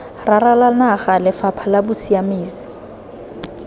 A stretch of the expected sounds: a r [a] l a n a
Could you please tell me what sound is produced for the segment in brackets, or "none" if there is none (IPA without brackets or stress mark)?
a